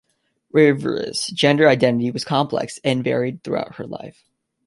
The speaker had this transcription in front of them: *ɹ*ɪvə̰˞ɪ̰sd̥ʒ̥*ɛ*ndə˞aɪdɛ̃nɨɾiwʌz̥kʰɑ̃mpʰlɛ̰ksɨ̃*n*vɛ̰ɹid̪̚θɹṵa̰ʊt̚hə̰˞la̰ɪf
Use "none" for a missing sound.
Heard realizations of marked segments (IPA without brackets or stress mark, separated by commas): ɹ, ɛ̃, n